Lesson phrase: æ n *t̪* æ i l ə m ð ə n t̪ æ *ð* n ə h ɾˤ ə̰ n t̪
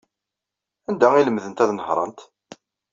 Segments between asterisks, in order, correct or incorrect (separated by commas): incorrect, correct